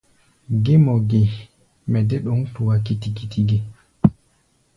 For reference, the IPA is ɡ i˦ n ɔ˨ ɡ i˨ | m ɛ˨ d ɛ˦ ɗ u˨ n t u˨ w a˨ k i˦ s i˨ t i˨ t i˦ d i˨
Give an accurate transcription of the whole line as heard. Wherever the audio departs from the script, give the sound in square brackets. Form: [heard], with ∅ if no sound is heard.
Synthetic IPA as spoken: ɡ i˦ [m] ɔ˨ ɡ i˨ | m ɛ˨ d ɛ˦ ɗ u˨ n t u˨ w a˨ k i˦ [t] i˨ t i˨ t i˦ [ɡ] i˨